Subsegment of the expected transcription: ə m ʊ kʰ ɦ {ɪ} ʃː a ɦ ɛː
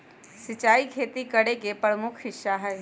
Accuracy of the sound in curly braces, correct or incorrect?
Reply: correct